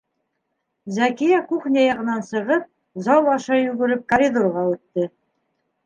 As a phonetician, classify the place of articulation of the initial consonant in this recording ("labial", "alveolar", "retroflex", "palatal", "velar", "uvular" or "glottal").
alveolar